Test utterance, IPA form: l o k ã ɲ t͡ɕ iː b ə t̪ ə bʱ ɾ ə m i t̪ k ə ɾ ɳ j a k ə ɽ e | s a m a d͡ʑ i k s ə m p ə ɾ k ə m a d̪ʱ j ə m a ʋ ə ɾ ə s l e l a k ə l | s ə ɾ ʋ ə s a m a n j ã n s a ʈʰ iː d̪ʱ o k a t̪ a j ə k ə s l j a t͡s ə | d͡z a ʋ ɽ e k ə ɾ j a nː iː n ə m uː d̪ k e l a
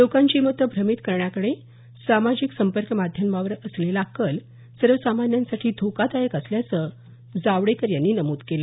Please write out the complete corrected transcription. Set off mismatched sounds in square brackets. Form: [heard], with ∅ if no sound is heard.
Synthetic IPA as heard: l o k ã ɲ t͡ɕ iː [m] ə t̪ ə bʱ ɾ ə m i t̪ k ə ɾ ɳ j a k ə ɽ e | s a m a d͡ʑ i k s ə m p ə ɾ k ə m a d̪ʱ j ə m a ʋ ə ɾ ə s l e l a k ə l | s ə ɾ ʋ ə s a m a n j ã n s a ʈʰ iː d̪ʱ o k a t̪ a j ə k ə s l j a t͡s ə | d͡z a ʋ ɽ e k ə ɾ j a nː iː n ə m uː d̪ k e l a